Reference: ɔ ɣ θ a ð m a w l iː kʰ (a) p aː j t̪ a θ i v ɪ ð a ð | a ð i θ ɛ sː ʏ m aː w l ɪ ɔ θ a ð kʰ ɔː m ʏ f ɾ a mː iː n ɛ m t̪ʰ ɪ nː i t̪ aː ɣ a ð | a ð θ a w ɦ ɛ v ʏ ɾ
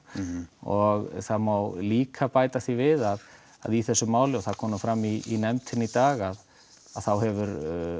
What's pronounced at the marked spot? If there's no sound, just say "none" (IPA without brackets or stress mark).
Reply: a